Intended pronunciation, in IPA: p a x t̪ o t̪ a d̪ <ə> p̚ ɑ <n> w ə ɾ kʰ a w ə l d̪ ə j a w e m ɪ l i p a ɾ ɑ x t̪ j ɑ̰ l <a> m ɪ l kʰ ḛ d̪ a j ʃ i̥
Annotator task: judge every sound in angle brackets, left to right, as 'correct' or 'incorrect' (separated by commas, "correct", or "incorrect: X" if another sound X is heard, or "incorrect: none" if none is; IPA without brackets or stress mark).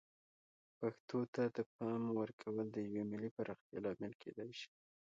correct, incorrect: m, incorrect: ɑ